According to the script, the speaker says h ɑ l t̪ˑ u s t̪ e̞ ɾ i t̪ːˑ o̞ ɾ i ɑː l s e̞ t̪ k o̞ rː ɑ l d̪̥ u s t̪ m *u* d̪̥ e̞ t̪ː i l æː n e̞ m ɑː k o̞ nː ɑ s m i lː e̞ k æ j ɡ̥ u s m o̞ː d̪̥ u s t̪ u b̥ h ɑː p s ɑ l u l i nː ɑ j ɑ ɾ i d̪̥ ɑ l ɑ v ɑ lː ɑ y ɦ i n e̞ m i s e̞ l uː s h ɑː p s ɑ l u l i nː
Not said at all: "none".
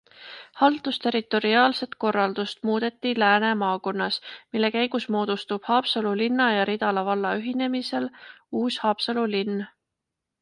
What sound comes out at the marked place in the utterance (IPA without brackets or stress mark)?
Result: uː